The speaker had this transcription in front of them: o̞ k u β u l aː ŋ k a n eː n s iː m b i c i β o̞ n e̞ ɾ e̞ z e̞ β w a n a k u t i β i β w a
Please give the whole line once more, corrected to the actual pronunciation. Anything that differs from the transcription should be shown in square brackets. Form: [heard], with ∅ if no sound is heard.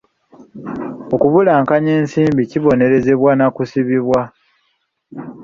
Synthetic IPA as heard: o̞ k u β u l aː ŋ k a [ɲ] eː n s iː m b i c i β o̞ n e̞ ɾ e̞ z e̞ β w a n a k u [s] i β i β w a